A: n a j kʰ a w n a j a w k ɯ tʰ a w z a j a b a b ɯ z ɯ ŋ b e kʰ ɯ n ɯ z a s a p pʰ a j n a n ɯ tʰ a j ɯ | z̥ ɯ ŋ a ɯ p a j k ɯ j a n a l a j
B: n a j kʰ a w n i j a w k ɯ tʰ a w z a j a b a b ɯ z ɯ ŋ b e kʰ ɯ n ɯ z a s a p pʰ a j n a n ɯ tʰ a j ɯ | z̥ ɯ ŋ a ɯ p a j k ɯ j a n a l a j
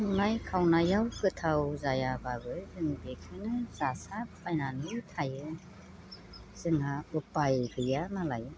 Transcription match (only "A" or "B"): A